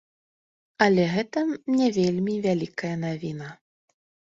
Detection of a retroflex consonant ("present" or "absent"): absent